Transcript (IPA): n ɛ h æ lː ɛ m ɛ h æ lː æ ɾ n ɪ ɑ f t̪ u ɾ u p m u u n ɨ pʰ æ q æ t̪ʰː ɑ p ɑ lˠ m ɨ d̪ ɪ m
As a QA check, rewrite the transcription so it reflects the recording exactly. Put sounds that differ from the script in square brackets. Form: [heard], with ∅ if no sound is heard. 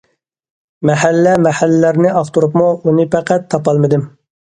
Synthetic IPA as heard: [m] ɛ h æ lː ɛ m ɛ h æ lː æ ɾ n ɪ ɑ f t̪ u ɾ u p m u u n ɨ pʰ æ q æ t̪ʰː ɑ p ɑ lˠ m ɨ d̪ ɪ m